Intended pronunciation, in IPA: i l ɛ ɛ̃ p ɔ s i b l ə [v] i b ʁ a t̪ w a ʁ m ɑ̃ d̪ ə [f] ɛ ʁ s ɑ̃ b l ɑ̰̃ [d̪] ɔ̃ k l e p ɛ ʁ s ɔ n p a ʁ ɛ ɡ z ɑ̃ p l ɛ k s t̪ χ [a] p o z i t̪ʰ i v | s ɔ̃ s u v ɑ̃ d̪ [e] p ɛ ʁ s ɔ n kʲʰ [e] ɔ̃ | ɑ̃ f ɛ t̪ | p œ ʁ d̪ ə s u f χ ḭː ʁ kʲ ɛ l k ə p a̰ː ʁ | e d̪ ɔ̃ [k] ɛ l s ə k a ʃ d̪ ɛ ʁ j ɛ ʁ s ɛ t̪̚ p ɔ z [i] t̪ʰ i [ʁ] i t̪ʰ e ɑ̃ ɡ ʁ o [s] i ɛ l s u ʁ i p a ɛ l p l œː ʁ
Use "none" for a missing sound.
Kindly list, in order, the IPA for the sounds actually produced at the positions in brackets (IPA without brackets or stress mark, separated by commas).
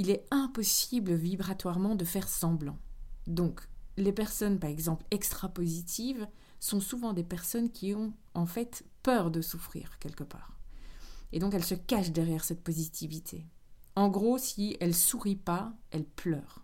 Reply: v, f, d̪, a, e, i, k, i, v, s